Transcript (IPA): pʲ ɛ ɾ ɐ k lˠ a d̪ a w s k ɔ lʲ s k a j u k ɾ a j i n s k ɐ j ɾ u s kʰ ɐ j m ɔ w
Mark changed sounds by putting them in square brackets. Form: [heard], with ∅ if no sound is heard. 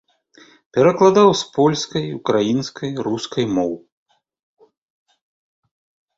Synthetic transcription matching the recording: pʲ ɛ ɾ ɐ k lˠ a d̪ a w s [p] ɔ lʲ s k [ɐ] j u k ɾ a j i n s k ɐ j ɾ u s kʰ ɐ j m ɔ w